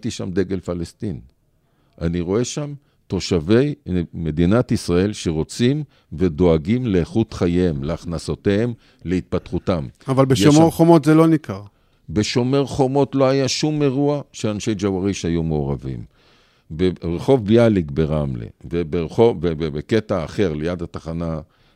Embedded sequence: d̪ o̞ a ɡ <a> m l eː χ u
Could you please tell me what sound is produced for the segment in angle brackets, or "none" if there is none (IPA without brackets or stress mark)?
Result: i